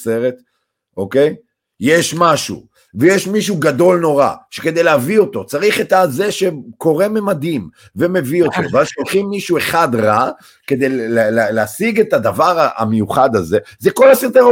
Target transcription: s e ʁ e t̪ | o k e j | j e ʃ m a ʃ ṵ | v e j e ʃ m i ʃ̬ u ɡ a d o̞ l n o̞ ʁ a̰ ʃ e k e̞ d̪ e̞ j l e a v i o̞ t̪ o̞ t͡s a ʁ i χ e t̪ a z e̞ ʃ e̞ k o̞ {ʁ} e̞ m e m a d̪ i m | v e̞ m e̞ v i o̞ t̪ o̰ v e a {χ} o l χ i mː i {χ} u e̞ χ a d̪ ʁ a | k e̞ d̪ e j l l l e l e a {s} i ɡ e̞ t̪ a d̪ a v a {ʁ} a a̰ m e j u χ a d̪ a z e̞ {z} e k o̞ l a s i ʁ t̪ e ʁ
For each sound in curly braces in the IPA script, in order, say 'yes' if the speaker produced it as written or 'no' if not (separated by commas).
yes, no, no, yes, yes, yes